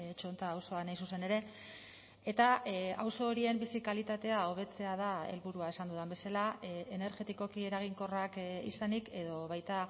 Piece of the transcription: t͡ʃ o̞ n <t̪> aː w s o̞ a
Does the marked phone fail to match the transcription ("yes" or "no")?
no